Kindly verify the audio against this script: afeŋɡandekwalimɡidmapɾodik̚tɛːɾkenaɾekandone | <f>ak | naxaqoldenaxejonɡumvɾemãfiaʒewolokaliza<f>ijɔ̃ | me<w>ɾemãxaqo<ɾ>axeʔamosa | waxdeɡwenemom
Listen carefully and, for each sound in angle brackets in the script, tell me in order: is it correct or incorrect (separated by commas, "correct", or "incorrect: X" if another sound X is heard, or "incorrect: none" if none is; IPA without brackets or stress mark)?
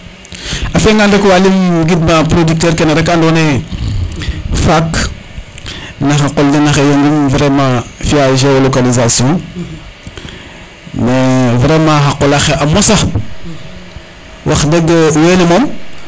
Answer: correct, incorrect: s, incorrect: v, incorrect: l